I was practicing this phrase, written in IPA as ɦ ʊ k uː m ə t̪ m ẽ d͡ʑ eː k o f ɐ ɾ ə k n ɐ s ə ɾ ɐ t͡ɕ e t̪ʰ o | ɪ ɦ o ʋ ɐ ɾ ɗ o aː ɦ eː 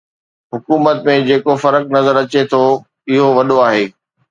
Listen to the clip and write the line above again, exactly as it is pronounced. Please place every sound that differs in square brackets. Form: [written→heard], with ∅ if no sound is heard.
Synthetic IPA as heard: ɦ ʊ k uː m ə t̪ m ẽ d͡ʑ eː k o f ɐ ɾ ə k n ɐ [s→z] ə ɾ ɐ t͡ɕ e t̪ʰ o | ɪ ɦ o ʋ ɐ [ɾ→∅] ɗ o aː ɦ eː